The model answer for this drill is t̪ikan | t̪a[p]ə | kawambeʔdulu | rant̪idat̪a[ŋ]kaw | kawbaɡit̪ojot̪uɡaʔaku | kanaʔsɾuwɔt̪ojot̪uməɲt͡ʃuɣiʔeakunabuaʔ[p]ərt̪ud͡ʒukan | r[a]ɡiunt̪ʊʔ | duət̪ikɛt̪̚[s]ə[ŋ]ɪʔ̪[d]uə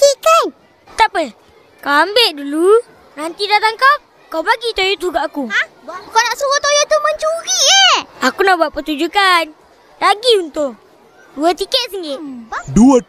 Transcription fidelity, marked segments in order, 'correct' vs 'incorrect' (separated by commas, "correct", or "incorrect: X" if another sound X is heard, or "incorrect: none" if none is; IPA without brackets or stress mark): correct, correct, correct, correct, correct, correct, correct